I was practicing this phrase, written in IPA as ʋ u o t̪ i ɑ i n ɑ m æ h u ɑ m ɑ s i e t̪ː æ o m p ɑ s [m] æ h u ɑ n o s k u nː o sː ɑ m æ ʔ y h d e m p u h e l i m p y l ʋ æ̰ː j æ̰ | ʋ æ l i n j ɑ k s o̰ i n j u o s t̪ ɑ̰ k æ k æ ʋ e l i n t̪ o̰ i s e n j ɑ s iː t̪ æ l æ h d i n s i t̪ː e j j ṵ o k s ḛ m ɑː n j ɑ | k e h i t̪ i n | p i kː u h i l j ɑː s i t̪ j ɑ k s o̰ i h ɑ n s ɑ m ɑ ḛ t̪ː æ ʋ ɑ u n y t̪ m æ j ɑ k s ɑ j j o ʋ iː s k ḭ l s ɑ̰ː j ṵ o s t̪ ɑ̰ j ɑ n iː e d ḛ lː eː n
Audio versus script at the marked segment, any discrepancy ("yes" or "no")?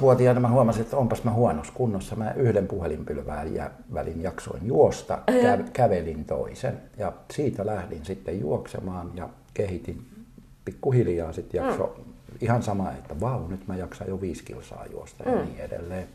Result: no